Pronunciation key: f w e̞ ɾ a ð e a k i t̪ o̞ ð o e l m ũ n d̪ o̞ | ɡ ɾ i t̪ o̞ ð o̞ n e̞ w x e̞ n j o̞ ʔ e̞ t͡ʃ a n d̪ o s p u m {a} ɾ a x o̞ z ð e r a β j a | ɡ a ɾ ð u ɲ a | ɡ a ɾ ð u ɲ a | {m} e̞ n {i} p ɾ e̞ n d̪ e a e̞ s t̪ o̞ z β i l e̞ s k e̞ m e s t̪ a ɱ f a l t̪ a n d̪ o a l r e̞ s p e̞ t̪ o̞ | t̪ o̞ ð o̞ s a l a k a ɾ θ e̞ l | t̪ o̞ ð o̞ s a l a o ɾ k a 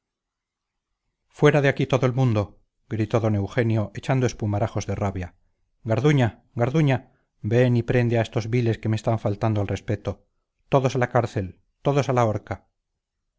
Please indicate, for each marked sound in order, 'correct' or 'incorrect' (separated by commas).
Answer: correct, incorrect, correct